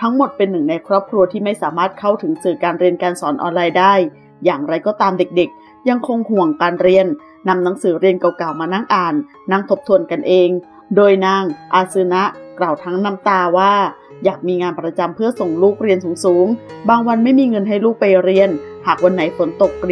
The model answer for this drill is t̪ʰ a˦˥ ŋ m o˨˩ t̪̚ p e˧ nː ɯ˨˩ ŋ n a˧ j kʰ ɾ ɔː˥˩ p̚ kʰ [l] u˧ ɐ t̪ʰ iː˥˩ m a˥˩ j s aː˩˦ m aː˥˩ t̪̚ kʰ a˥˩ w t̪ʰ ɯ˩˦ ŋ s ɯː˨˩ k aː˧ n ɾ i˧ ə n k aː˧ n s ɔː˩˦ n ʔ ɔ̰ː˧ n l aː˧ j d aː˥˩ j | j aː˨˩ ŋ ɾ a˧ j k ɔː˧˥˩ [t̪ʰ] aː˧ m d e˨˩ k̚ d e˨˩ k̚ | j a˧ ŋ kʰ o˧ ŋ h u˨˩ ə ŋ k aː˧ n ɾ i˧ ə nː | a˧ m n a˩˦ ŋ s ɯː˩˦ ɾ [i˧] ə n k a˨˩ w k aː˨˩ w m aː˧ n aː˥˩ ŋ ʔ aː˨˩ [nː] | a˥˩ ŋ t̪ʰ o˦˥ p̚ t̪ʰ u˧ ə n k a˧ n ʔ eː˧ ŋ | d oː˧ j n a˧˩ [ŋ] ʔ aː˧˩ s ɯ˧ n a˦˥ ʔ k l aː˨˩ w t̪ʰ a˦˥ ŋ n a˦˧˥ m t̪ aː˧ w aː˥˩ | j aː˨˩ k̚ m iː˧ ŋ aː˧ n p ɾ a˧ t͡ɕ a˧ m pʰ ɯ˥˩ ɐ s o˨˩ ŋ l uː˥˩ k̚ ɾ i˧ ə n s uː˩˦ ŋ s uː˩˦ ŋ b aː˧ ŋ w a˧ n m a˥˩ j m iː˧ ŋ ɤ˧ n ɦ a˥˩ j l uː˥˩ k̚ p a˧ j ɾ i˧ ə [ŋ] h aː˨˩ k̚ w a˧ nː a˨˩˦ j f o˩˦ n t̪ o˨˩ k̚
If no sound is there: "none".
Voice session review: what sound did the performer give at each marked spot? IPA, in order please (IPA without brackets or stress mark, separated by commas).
ɾ, t̪, i˧, nː, ŋ, n